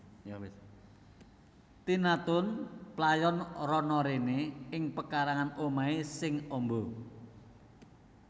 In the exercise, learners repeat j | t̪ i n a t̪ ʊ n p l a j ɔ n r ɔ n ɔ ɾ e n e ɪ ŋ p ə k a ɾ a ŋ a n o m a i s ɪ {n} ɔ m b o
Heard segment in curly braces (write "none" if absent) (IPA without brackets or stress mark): ŋ